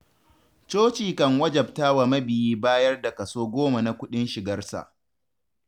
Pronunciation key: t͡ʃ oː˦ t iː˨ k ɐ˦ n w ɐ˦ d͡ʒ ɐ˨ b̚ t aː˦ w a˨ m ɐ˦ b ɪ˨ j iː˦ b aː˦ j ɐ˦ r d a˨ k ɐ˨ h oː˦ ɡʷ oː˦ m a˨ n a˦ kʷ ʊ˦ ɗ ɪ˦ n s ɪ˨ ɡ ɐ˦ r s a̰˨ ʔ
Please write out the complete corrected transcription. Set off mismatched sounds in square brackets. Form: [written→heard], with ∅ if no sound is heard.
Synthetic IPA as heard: t͡ʃ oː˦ [t→t͡ʃ] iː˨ k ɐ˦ [n→ŋ] w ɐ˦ d͡ʒ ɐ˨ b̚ t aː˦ w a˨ m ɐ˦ b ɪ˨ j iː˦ b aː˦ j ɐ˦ r d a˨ k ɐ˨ [h→s] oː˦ ɡʷ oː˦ m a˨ n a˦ kʷ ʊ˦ ɗ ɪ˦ n [s→ʃ] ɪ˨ ɡ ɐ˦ r s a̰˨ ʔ

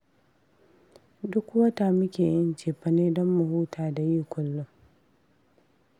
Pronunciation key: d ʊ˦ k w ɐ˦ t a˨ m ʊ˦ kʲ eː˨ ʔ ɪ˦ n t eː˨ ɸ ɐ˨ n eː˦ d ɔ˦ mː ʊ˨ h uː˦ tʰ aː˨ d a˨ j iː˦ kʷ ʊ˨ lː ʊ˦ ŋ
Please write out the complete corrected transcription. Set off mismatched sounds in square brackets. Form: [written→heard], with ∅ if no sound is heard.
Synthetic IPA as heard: d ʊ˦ k w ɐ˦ t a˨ m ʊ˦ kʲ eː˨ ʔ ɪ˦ n [t→t͡ʃ] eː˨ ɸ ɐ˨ n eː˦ d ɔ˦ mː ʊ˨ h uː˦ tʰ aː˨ d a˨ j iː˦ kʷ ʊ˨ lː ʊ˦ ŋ

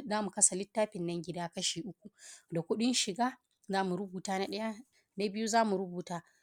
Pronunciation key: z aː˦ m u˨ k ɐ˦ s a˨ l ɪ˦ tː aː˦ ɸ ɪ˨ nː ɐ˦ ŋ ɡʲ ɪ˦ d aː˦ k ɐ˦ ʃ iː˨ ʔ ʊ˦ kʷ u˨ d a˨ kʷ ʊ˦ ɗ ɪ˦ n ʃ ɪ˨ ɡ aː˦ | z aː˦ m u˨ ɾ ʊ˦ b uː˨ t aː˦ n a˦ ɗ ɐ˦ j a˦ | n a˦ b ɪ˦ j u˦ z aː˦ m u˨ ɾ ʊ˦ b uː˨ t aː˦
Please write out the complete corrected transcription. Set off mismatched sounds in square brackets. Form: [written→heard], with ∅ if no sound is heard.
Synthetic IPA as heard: z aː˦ m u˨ k ɐ˦ s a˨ l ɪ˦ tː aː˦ ɸ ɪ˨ nː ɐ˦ ŋ ɡʲ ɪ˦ d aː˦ k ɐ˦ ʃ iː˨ ʔ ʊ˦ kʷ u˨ d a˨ kʷ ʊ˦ ɗ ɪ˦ n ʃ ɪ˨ ɡ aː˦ | z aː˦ m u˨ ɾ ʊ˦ b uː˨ t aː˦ n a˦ ɗ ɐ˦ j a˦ | n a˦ b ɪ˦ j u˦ z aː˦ m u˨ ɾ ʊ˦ b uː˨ t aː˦

